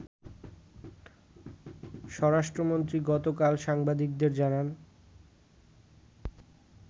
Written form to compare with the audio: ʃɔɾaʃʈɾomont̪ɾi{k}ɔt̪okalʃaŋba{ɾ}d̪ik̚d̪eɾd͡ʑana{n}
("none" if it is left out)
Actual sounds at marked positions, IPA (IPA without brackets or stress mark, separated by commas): ɡ, none, n